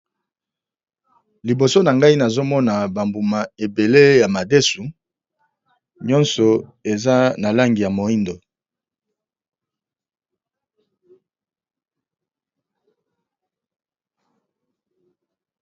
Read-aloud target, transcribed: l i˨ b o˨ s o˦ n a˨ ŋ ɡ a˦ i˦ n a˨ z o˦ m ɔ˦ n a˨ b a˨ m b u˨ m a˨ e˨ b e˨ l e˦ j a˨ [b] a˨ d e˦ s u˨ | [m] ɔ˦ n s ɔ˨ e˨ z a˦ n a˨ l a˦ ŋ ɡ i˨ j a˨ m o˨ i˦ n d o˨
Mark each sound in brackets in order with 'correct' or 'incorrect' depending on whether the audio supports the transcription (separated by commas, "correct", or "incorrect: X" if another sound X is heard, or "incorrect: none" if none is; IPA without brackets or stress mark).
incorrect: m, incorrect: ɲ